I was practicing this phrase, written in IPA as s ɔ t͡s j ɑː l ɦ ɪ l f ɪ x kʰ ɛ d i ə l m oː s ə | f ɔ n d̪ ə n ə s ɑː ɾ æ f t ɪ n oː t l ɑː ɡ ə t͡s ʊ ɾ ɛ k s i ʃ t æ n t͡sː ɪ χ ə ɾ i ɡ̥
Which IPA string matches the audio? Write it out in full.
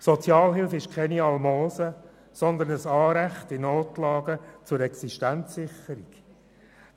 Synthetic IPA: s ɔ t͡s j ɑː l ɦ ɪ l f ɪ ʃ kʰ ɛ n i ɑ l m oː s ə | s ɔ n d̪ ə n ə s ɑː ɾ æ χ t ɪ n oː t l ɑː ɡ ə t͡s ʊ ɾ ɛ k s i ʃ t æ n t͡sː ɪ χ ə ɾ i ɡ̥